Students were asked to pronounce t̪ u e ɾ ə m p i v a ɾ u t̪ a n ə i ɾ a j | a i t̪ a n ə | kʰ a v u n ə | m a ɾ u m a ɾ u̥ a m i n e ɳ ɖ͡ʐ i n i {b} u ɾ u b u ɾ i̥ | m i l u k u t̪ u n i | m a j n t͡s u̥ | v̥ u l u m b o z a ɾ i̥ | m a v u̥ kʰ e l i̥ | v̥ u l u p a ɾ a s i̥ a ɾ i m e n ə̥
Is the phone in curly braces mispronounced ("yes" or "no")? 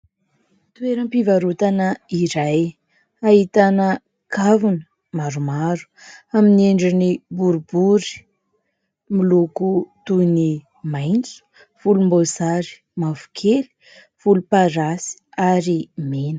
no